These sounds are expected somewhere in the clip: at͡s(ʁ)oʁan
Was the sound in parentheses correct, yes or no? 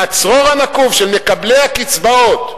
yes